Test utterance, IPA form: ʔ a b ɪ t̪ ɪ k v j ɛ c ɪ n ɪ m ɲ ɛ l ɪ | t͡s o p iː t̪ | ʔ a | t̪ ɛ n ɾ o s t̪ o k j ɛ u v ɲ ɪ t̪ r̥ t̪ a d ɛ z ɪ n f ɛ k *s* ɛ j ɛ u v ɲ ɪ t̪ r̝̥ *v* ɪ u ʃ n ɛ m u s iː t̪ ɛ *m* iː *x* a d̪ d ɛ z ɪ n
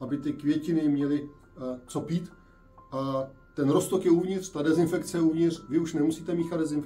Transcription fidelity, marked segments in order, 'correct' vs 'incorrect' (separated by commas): incorrect, correct, correct, correct